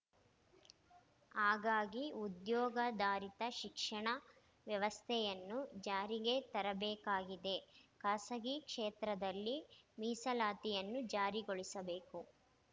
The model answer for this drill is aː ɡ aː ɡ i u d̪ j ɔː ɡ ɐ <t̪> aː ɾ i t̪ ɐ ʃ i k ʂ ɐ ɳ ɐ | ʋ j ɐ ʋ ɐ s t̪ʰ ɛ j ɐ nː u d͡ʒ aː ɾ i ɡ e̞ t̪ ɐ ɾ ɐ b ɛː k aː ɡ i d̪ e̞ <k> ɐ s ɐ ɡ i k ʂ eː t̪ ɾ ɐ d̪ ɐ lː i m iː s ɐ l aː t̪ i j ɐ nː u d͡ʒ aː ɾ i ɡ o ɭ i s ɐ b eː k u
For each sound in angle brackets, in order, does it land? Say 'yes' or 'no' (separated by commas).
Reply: no, yes